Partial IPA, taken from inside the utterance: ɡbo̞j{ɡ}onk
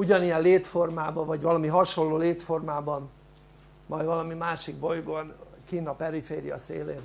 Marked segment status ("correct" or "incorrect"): correct